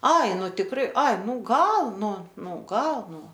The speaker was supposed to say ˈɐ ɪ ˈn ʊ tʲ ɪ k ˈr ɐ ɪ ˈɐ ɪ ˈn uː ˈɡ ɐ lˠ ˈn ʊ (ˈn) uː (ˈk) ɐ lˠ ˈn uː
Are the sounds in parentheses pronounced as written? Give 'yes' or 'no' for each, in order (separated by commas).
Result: yes, no